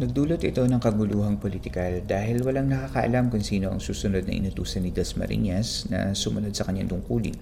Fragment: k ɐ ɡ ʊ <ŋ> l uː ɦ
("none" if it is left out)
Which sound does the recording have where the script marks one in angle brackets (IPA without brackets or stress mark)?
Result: none